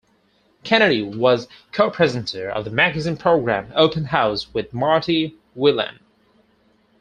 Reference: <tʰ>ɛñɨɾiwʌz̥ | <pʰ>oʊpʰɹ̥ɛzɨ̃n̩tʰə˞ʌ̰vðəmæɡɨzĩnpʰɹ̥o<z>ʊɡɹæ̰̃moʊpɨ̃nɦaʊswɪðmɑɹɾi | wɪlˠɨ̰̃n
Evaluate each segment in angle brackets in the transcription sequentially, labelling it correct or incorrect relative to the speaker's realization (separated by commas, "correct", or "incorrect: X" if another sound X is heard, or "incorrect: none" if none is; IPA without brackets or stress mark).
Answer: incorrect: kʰ, incorrect: kʰ, incorrect: none